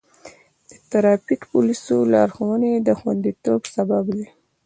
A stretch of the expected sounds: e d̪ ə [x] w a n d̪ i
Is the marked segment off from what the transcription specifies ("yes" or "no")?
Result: no